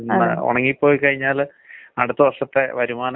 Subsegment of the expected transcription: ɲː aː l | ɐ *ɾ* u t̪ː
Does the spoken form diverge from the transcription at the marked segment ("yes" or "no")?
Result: yes